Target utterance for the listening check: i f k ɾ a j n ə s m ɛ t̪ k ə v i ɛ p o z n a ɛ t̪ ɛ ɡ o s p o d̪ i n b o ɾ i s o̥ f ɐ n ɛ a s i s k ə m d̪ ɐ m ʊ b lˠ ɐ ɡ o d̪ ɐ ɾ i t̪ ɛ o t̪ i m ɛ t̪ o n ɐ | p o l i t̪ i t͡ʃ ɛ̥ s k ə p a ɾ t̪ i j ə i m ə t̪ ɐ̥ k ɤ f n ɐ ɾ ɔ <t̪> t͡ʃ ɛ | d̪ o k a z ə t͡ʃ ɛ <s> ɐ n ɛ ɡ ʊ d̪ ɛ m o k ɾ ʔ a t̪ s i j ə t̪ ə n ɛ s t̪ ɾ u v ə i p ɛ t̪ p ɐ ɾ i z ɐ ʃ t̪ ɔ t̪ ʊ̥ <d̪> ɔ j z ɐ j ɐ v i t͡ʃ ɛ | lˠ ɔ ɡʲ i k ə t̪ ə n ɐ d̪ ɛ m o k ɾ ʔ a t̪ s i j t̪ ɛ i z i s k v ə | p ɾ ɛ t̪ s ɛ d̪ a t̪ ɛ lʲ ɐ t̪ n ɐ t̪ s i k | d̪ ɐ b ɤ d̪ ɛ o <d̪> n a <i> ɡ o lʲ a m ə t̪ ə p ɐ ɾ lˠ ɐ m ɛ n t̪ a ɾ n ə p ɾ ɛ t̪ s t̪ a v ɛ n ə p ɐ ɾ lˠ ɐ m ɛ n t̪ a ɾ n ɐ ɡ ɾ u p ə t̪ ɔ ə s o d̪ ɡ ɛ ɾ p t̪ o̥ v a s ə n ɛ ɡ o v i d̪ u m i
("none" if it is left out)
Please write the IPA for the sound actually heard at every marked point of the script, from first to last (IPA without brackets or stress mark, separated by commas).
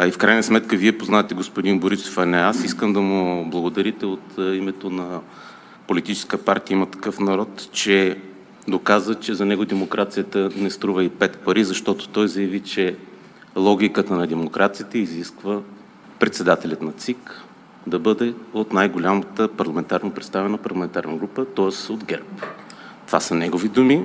t̪, z, t̪, t̪, j